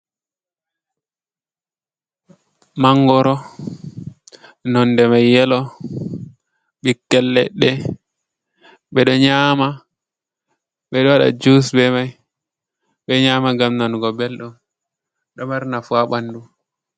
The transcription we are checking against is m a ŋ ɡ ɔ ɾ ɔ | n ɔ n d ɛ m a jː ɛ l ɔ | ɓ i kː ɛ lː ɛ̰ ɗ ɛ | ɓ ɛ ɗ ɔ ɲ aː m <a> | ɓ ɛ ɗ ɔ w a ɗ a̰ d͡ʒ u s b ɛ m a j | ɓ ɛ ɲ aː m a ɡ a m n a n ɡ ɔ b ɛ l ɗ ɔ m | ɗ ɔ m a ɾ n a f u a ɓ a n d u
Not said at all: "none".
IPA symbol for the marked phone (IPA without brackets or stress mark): a